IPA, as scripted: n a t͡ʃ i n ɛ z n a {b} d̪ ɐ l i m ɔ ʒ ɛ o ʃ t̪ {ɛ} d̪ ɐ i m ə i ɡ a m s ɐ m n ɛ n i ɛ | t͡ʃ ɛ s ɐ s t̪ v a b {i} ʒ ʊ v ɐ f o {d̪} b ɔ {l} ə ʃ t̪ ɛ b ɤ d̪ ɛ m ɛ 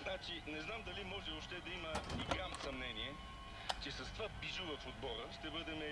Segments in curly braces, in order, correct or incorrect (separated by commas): incorrect, correct, correct, correct, incorrect